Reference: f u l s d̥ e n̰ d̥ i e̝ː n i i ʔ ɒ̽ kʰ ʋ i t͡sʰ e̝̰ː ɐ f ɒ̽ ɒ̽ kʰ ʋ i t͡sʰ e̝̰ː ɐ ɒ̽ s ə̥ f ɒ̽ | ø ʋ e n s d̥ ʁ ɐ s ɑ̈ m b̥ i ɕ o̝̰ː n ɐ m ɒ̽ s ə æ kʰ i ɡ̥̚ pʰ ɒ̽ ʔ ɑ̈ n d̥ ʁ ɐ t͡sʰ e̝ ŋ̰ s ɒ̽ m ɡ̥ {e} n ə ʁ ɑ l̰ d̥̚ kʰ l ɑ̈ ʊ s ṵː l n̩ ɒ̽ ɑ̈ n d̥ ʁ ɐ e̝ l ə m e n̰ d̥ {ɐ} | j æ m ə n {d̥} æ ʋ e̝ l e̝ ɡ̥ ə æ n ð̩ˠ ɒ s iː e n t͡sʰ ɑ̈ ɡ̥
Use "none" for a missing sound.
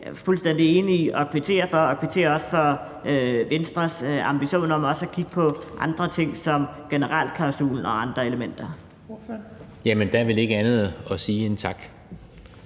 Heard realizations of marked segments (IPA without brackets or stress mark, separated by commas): e, ɐ, d̥